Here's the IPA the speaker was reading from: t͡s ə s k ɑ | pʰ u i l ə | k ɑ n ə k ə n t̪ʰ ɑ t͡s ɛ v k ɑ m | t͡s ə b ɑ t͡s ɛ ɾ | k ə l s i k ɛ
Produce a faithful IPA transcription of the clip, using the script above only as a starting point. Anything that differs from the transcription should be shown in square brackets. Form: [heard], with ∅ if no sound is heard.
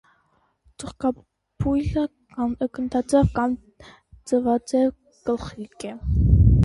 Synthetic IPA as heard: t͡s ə [χ] k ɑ | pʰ u [j] l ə | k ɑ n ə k ə n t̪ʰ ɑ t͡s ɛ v k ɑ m | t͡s ə [v] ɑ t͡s ɛ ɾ | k ə l [χ] i k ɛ